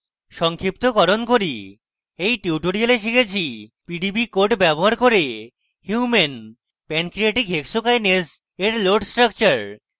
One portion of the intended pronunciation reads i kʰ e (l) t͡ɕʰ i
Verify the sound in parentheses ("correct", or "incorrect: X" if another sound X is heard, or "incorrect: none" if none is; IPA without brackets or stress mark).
incorrect: none